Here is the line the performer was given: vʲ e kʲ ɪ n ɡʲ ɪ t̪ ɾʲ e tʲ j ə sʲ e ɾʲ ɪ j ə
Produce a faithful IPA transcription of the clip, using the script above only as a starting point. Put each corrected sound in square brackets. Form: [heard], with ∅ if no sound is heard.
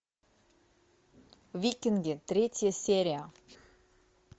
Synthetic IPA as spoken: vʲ [i] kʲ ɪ n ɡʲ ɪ t̪ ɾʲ e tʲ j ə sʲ e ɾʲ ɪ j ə